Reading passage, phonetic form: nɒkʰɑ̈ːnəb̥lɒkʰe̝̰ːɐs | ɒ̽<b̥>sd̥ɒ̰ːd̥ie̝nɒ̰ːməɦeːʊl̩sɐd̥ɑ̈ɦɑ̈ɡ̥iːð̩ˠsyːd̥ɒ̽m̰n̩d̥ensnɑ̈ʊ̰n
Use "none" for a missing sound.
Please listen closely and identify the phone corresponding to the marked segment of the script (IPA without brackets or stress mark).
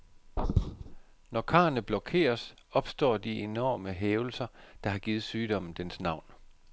b̥